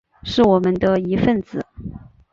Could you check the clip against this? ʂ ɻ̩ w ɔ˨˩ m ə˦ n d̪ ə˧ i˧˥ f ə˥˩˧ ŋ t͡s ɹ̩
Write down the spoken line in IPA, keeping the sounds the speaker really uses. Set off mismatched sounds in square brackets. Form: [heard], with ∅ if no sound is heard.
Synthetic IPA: ʂ ɻ̩ w ɔ˨˩ m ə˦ n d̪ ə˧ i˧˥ f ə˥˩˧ [n] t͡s ɹ̩

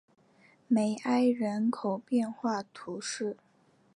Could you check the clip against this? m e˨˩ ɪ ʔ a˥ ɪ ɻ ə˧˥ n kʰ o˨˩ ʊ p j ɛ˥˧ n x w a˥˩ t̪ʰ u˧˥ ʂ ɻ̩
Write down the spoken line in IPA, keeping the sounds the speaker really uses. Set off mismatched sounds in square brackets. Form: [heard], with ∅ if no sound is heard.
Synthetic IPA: m e˨˩ ɪ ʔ a˥ ɪ ɻ ə˧˥ n kʰ o˨˩ ʊ p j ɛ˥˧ n x w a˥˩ t̪ʰ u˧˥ ʂ ɻ̩

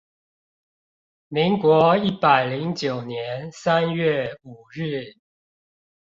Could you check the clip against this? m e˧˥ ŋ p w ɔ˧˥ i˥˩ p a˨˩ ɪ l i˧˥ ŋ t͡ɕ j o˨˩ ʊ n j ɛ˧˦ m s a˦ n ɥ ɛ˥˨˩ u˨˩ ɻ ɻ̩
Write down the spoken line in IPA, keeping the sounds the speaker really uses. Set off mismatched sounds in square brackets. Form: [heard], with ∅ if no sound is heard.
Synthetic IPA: m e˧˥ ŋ [k] w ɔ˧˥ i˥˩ p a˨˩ ɪ l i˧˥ ŋ t͡ɕ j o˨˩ ʊ n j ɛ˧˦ [n] s a˦ n ɥ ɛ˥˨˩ u˨˩ ɻ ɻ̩

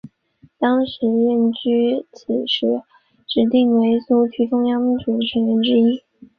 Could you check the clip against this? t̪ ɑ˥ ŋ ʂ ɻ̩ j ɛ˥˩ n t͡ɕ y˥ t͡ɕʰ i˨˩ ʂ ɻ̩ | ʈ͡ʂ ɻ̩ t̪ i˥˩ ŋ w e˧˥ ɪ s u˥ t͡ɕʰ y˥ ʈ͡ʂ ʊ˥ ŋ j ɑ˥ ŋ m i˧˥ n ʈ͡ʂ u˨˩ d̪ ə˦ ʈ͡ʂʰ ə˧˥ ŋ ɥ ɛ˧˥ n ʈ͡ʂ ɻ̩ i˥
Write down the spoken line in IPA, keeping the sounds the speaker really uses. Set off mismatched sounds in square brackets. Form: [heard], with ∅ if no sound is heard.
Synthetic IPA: t̪ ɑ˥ ŋ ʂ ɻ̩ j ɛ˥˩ n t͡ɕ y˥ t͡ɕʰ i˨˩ ʂ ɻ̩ | ʈ͡ʂ ɻ̩ t̪ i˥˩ ŋ w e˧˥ ɪ s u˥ t͡ɕʰ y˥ ʈ͡ʂ ʊ˥ ŋ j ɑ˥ ŋ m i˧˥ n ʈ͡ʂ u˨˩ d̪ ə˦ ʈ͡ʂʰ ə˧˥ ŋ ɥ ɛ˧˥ n ʈ͡ʂ ɻ̩ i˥

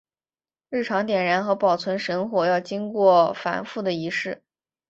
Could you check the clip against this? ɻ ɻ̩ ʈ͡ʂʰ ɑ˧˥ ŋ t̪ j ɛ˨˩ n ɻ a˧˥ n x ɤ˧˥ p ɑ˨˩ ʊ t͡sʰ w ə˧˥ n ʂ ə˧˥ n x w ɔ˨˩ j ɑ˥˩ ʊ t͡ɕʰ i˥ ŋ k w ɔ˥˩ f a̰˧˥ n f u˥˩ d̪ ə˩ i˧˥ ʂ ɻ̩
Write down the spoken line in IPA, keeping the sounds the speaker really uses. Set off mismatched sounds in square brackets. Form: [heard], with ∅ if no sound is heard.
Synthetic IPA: ɻ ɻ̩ ʈ͡ʂʰ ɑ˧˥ ŋ t̪ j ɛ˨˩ n ɻ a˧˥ n x ɤ˧˥ p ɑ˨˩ ʊ t͡sʰ w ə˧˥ n ʂ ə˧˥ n x w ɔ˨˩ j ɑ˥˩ ʊ [t͡ɕ] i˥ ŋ k w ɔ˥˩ f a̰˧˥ n f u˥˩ d̪ ə˩ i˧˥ ʂ ɻ̩

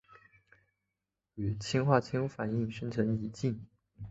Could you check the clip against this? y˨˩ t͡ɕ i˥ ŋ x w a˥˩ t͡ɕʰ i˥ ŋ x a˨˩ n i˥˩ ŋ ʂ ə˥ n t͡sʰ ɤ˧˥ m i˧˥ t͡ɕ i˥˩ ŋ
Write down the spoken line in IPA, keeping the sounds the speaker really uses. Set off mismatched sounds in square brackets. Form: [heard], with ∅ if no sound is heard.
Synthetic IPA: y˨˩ [t͡ɕʰ] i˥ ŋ x w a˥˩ t͡ɕʰ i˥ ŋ [f] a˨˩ n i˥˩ ŋ ʂ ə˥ n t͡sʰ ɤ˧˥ [ŋ] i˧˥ t͡ɕ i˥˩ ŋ

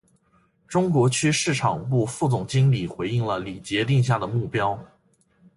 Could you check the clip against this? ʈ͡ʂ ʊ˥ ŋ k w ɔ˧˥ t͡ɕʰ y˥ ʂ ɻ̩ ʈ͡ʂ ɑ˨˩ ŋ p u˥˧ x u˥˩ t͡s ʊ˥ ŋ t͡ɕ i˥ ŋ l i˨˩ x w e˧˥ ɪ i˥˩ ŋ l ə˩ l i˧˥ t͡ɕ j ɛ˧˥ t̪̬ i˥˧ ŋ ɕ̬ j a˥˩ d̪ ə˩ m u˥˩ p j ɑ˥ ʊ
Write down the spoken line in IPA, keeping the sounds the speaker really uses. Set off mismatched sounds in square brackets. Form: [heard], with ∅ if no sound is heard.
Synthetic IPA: ʈ͡ʂ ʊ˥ ŋ k w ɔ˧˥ t͡ɕʰ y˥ ʂ ɻ̩ [ʈ͡ʂʰ] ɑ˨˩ ŋ p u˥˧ [f] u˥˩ t͡s [ʊ˨˩] ŋ t͡ɕ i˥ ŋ l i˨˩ x w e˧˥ ɪ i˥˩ ŋ l ə˩ l [i˨˩] t͡ɕ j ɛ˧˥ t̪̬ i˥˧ ŋ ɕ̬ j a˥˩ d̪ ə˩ m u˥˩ p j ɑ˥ ʊ

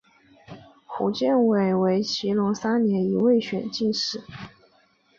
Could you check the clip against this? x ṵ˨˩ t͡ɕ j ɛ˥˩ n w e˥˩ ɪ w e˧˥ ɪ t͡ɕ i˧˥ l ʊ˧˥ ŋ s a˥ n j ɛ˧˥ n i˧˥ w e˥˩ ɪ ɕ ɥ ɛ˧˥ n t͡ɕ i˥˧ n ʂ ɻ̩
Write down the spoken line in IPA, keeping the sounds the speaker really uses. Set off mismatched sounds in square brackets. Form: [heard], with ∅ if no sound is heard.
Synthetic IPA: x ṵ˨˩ t͡ɕ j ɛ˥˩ n w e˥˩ ɪ w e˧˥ ɪ [t͡ɕʰ] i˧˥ l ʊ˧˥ ŋ s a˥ n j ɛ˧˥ n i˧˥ w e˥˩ ɪ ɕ ɥ [ɛ˨˩] n t͡ɕ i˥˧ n ʂ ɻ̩

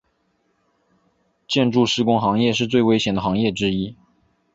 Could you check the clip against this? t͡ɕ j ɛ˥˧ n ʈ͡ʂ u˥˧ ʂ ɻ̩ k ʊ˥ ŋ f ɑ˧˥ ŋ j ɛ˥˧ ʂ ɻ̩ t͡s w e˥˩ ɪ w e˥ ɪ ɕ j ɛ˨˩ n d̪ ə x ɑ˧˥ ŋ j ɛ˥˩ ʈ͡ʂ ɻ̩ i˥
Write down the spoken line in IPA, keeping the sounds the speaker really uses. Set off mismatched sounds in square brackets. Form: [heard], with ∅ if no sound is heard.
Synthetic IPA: t͡ɕ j ɛ˥˧ n ʈ͡ʂ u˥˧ ʂ ɻ̩ k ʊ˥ ŋ [x] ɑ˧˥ ŋ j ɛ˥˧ ʂ ɻ̩ t͡s w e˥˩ ɪ w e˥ ɪ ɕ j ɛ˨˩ n d̪ ə x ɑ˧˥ ŋ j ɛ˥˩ ʈ͡ʂ ɻ̩ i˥

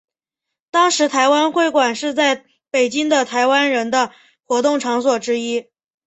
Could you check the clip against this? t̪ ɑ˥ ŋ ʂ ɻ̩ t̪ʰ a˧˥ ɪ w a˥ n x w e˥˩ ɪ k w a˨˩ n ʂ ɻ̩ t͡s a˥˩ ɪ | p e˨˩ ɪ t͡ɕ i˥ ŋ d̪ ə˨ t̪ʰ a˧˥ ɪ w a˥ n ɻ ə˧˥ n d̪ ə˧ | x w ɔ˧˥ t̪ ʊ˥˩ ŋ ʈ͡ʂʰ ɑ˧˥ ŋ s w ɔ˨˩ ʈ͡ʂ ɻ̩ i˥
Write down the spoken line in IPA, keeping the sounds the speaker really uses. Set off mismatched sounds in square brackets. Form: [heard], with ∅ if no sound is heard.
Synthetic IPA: t̪ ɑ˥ ŋ ʂ ɻ̩ t̪ʰ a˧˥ ɪ w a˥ n x w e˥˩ ɪ k w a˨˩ n ʂ ɻ̩ t͡s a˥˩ ɪ | p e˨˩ ɪ t͡ɕ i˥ ŋ d̪ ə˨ t̪ʰ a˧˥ ɪ w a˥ n ɻ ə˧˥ n d̪ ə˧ | x w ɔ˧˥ t̪ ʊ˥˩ ŋ ʈ͡ʂʰ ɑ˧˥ ŋ s w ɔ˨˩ ʈ͡ʂ ɻ̩ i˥

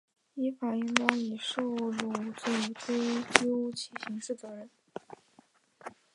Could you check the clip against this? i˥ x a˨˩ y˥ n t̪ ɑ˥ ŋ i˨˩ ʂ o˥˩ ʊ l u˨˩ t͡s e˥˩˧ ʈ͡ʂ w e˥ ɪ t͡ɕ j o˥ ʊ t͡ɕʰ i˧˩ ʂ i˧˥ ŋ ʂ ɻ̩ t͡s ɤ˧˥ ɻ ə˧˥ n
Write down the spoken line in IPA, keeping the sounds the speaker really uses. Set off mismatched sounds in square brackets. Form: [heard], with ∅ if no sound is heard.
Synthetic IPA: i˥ [f] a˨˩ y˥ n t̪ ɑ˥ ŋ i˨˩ ʂ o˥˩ ʊ l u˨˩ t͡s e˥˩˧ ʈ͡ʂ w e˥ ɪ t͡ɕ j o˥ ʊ t͡ɕʰ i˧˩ [ɕ] i˧˥ ŋ ʂ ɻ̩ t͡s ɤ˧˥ ɻ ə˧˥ n

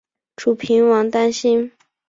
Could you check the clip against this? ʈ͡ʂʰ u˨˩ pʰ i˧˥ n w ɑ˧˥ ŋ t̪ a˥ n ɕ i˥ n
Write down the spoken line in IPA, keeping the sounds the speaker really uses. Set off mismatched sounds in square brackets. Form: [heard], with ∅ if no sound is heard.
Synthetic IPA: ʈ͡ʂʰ u˨˩ pʰ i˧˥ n w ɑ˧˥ ŋ t̪ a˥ n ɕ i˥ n

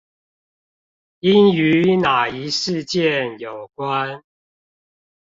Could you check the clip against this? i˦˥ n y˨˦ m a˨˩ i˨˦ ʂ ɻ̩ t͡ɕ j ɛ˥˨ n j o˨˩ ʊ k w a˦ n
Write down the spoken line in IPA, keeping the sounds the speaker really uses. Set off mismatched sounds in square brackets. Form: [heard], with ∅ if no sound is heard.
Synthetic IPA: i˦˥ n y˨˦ [n] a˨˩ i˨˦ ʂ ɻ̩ t͡ɕ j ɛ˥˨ n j o˨˩ ʊ k w a˦ n

